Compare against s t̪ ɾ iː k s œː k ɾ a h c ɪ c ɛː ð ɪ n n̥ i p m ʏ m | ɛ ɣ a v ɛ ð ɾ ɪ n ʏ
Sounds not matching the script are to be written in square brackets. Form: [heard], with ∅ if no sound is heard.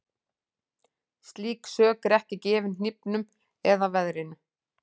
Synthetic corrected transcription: s t̪ [l] iː k s œː k ɾ [ɛ] h c ɪ c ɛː [v] ɪ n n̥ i p [n] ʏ m | ɛ [ð] a v ɛ ð ɾ ɪ n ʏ